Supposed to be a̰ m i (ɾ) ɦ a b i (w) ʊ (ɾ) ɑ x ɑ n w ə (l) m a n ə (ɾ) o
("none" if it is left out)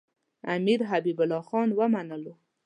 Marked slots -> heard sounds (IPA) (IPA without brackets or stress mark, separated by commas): ɾ, b, l, none, l